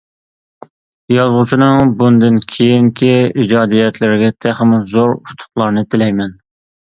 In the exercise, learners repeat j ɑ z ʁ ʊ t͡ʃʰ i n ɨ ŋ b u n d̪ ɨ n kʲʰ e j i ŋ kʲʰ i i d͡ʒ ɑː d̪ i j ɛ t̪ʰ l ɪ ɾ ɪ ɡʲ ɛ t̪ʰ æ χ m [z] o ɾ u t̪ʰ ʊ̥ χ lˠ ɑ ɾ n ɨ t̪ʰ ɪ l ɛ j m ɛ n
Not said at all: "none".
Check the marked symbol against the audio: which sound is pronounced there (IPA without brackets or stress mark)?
z